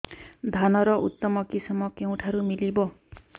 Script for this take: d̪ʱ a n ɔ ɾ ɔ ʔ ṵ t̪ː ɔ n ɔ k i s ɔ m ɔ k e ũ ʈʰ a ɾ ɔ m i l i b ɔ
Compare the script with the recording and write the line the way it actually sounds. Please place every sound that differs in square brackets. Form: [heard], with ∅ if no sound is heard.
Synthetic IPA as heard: d̪ʱ a n ɔ ɾ ɔ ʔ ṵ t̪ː ɔ [m] ɔ k i s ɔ m ɔ k e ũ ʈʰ a ɾ [u] m i l i b ɔ